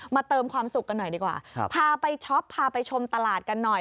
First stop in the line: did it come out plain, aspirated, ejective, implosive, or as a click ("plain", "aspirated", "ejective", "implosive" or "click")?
plain